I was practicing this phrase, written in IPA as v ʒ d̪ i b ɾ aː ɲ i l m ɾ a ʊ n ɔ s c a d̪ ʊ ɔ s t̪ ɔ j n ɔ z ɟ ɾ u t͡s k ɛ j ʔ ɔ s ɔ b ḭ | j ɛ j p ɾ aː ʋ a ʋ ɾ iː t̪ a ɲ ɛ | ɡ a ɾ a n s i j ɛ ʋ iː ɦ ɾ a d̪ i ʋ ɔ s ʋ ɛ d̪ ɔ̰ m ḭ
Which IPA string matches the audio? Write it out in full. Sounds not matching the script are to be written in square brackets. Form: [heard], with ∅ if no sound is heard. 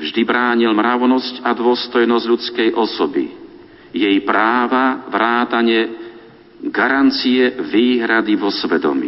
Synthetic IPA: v ʒ d̪ i b ɾ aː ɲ i l m ɾ a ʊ n ɔ s c a d̪ ʊ ɔ s t̪ ɔ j n ɔ z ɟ [ʎ] u t͡s k ɛ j ʔ ɔ s ɔ b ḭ | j ɛ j p ɾ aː ʋ a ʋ ɾ [aː] t̪ a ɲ ɛ | ɡ a ɾ a n [t͡s] i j ɛ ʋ iː ɦ ɾ a d̪ i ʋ ɔ s ʋ ɛ d̪ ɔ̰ m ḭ